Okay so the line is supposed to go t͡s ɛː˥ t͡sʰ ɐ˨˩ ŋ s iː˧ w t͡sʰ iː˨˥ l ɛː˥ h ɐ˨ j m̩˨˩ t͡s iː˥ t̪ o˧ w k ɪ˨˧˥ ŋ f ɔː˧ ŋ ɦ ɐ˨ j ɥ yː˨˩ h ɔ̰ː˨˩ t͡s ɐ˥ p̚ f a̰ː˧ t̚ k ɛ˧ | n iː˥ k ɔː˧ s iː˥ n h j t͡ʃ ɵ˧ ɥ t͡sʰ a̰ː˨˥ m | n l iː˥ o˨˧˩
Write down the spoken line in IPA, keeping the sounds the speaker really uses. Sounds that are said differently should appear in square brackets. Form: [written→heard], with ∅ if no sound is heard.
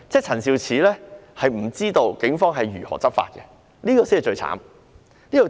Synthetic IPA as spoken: t͡s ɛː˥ t͡sʰ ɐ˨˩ [ŋ→n] s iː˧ w t͡sʰ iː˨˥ l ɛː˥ h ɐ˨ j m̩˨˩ t͡s iː˥ t̪ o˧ w k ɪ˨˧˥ ŋ f [ɔː˧→ɔː˥] ŋ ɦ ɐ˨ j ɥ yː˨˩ h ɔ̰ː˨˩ t͡s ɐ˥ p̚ f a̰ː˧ t̚ k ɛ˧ | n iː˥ k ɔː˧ s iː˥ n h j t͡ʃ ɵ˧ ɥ t͡sʰ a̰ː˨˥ m | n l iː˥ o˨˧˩